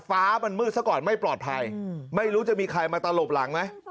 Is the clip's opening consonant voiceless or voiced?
voiceless